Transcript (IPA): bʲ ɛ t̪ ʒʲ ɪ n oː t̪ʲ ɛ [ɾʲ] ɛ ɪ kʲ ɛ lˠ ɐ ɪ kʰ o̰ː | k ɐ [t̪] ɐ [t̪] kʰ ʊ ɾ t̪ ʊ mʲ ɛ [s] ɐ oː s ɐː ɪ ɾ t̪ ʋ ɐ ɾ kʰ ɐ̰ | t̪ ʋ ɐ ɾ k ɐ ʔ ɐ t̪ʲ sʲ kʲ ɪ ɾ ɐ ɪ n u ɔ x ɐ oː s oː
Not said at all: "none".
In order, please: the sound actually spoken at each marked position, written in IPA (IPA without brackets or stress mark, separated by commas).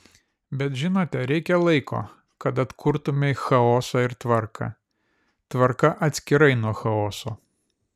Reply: ɾʲ, t̪, t̪, x